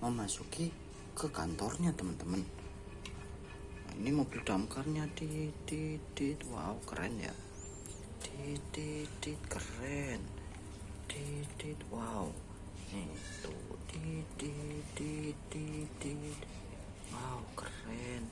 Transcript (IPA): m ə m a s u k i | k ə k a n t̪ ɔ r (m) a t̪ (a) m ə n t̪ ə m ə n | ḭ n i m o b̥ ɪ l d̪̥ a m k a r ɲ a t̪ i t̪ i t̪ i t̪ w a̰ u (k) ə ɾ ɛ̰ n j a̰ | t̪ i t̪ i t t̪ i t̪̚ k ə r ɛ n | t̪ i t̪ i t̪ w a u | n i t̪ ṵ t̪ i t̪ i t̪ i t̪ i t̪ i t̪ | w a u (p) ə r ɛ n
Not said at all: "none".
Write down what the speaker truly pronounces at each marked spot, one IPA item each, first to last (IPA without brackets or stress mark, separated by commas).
ɲ, ə, k, k